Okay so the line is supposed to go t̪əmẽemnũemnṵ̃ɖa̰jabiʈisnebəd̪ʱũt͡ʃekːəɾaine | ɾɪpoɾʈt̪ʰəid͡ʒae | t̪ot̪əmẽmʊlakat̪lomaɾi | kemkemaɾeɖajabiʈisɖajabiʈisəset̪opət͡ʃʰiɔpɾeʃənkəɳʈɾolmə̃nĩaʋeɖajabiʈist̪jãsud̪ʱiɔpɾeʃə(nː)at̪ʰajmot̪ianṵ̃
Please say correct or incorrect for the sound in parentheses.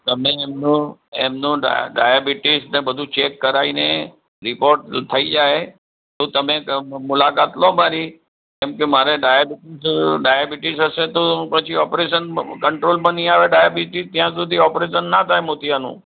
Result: correct